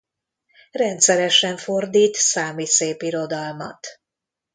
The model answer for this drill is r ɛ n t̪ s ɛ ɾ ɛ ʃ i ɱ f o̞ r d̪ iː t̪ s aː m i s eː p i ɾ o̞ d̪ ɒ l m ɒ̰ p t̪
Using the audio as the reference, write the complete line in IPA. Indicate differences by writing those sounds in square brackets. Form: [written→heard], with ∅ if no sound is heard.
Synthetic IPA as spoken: r ɛ n t̪ s ɛ ɾ ɛ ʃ [i→ɛ] ɱ f o̞ r d̪ iː t̪ s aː m i s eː p i ɾ o̞ d̪ ɒ l m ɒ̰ [p→∅] t̪